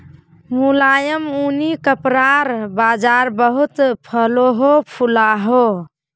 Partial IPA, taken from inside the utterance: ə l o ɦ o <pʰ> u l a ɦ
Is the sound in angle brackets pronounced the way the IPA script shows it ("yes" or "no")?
yes